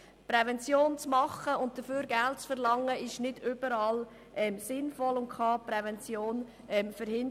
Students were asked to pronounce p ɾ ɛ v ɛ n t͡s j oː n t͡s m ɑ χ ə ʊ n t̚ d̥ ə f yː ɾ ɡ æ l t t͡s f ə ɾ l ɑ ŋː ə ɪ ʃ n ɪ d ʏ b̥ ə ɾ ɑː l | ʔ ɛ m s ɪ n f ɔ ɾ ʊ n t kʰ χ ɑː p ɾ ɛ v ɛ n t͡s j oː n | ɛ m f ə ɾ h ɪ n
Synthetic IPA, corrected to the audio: p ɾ ɛ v ɛ n t͡s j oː n t͡s m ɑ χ ə ʊ n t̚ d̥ ə f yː ɾ ɡ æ l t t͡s f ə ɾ l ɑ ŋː ə ɪ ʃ n ɪ d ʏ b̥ ə ɾ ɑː l | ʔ ɛ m s ɪ n f ɔ l ʊ n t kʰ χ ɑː p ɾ ɛ v ɛ n t͡s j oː n | ɛ m f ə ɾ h ɪ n